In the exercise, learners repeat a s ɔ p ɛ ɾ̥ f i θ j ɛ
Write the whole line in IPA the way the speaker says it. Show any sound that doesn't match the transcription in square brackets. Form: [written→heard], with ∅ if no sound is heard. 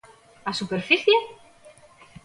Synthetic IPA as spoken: a s [ɔ→u] p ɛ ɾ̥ f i θ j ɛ